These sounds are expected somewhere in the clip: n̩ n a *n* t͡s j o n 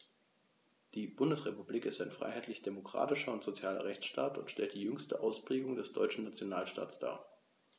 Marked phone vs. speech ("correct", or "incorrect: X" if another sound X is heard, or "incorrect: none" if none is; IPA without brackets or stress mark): incorrect: none